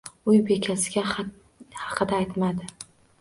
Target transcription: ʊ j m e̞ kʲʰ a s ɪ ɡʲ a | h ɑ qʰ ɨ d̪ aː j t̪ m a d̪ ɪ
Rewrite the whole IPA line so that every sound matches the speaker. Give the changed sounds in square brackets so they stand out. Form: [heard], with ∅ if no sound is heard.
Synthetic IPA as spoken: ʊ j [b] e̞ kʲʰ a s ɪ ɡʲ a | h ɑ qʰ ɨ d̪ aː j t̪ m a d̪ ɪ